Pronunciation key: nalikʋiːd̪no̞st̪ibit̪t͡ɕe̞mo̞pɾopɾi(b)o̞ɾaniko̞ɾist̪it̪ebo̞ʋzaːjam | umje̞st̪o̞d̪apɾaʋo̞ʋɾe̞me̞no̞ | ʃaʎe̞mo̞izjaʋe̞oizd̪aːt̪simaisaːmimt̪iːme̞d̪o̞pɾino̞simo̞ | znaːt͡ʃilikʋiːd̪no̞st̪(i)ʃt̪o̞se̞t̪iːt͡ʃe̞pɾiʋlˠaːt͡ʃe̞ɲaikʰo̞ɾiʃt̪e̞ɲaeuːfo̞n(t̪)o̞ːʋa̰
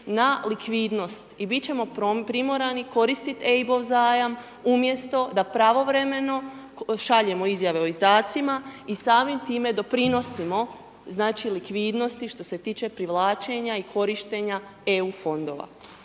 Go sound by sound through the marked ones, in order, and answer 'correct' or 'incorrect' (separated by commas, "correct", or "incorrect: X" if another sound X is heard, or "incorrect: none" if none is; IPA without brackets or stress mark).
incorrect: m, correct, incorrect: d̪